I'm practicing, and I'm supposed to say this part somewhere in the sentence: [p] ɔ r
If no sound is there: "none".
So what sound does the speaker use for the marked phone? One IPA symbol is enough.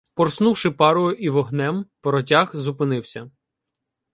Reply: p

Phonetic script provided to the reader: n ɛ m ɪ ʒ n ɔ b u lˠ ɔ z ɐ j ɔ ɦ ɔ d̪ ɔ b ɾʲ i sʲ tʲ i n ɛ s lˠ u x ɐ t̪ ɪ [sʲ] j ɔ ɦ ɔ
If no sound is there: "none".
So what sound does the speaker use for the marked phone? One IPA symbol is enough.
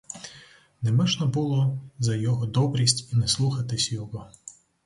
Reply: sʲ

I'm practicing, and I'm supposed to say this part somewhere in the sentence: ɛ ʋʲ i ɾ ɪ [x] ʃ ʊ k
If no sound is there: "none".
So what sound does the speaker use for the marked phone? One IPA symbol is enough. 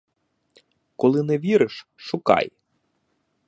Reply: ʃ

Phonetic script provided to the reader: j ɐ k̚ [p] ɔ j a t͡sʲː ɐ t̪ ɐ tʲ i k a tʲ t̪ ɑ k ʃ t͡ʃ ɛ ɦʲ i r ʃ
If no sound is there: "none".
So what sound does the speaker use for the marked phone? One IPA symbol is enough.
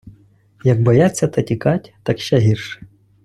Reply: b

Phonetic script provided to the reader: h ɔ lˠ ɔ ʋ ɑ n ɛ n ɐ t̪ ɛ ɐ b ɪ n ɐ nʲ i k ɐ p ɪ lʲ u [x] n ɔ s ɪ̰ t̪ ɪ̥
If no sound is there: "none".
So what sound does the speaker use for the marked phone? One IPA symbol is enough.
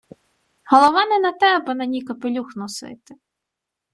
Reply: x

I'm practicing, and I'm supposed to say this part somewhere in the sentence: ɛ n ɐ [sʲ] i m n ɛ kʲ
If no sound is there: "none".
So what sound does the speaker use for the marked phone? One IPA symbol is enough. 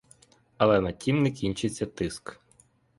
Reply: tʲ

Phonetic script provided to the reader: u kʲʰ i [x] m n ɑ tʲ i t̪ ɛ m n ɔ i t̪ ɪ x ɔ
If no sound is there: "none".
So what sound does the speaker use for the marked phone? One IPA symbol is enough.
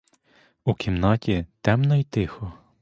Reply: none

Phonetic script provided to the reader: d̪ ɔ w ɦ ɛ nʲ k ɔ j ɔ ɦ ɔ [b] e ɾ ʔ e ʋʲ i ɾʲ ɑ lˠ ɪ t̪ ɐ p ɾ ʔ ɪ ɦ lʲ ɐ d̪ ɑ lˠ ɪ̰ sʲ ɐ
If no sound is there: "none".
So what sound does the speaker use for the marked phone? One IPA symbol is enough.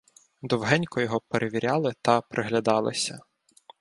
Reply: p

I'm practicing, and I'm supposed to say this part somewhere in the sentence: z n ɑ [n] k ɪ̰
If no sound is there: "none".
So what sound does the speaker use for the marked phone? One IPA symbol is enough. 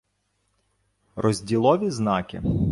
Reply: none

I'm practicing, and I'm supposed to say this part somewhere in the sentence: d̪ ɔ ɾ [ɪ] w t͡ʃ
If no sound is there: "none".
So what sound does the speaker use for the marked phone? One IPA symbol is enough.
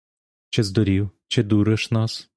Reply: i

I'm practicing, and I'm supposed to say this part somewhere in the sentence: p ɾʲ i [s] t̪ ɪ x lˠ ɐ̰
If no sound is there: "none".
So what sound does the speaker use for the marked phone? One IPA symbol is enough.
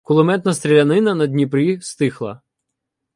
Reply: s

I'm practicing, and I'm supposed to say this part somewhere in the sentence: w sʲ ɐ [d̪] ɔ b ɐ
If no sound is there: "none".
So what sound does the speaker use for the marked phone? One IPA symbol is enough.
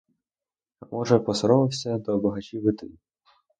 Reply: d̪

